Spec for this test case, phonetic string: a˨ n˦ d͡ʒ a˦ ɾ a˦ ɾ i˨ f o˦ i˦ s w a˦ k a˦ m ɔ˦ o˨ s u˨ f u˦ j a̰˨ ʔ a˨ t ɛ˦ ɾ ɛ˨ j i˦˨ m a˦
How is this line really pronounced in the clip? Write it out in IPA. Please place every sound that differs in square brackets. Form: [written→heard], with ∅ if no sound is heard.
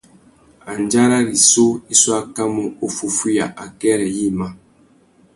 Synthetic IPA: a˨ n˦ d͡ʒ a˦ ɾ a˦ ɾ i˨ [f→s] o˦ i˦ s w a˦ k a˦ m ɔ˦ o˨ [s→f] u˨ f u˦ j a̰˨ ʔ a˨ [t→k] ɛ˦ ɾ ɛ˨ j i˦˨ m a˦